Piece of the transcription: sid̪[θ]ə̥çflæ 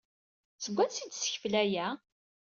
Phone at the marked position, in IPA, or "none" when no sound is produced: s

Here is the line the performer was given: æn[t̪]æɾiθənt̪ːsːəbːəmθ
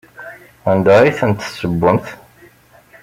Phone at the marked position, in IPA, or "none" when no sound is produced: d̪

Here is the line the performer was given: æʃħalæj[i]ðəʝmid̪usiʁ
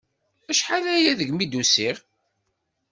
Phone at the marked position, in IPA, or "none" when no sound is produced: æ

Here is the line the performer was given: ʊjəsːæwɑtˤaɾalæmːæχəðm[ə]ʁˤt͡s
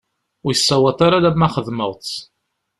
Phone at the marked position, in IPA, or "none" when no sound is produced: ə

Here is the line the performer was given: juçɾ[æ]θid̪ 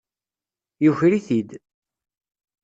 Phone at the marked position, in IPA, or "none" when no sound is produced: i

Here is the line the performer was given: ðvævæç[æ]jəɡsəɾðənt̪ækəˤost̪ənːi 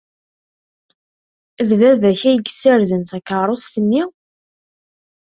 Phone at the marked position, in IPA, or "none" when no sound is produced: æ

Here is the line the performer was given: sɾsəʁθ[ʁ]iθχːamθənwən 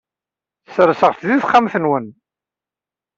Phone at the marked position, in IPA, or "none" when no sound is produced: ð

